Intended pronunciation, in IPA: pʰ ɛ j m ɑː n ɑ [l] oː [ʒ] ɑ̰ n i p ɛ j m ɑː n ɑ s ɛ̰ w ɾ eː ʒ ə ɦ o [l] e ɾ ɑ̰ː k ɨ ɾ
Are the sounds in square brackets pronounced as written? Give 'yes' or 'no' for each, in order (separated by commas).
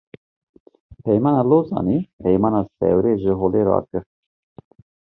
yes, no, yes